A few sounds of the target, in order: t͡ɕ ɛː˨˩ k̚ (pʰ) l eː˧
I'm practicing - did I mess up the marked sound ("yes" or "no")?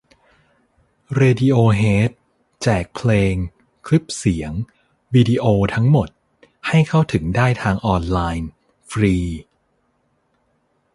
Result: no